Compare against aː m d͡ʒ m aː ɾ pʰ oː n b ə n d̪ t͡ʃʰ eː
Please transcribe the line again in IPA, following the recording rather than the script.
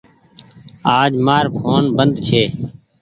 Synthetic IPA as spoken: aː d͡ʒ m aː ɾ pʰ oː n b ə n d̪ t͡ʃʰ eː